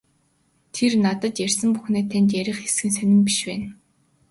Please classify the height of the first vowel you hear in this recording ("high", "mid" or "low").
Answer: mid